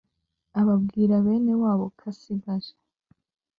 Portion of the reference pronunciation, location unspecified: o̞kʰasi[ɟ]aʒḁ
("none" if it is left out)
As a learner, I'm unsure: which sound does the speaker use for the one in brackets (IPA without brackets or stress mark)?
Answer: ɡ